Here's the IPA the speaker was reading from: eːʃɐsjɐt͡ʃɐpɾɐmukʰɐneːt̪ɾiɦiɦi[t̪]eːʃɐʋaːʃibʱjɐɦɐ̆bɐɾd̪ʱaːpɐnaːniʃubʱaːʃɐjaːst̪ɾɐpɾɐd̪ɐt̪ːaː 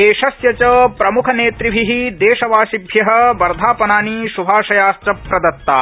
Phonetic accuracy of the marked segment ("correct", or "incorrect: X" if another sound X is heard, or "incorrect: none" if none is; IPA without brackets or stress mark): incorrect: d̪